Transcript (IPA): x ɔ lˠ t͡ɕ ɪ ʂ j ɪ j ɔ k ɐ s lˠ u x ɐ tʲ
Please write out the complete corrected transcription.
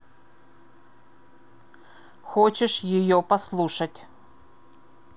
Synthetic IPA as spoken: x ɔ t͡ɕ ɪ ʂ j ɪ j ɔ p ɐ s lˠ u ʂ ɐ tʲ